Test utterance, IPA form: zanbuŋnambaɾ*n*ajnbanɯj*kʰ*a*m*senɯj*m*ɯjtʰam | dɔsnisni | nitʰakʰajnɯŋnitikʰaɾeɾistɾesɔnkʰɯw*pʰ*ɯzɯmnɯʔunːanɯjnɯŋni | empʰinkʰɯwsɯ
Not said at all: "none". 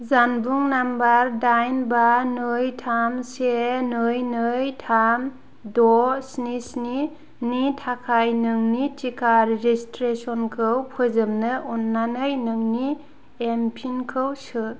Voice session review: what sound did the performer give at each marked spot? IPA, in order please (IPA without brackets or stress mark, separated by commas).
d, tʰ, m, n, pʰ